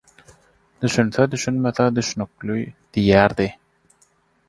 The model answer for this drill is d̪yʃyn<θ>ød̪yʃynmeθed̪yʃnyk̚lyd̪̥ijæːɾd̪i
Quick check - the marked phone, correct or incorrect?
correct